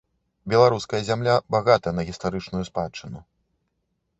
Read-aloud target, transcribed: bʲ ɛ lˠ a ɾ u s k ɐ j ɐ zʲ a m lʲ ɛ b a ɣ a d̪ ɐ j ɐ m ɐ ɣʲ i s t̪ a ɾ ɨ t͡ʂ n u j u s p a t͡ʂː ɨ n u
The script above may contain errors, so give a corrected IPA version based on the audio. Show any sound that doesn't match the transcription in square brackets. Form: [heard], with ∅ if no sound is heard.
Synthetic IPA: bʲ ɛ lˠ a ɾ u s k ɐ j ɐ zʲ a m lʲ [a] b a ɣ a [t̪] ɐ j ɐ [n] ɐ ɣʲ i s t̪ a ɾ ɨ t͡ʂ n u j u s p a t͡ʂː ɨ n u